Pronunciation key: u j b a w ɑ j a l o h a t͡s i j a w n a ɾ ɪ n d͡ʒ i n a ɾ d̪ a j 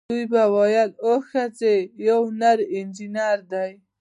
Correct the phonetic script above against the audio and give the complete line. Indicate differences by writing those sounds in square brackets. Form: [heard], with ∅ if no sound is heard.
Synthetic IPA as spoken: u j b a w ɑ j a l o [x] a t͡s [e] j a w n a ɾ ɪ n d͡ʒ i n a ɾ d̪ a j